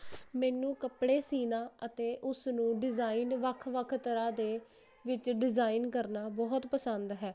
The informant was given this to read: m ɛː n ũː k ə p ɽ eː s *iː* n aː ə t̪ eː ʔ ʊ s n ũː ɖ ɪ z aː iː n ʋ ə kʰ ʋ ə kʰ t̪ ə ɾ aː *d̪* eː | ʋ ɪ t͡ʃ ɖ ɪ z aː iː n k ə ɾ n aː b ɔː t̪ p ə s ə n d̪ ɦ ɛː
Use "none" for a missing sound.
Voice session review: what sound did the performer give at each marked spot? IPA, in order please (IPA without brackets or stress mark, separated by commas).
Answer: iː, d̪